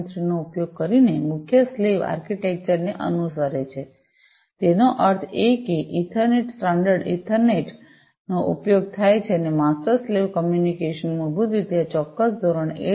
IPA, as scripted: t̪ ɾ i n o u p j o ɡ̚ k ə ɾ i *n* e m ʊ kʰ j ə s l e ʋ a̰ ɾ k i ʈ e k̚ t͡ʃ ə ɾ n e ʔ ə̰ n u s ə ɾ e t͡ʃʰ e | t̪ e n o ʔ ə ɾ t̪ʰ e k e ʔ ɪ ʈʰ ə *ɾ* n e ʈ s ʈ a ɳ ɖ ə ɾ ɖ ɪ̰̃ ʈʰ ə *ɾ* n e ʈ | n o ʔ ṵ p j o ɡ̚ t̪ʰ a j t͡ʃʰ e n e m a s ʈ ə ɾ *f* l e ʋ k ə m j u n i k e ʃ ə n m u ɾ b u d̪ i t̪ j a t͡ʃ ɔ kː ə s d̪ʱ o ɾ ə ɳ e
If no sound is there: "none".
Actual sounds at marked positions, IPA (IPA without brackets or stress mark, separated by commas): n, ɾ, ɾ, s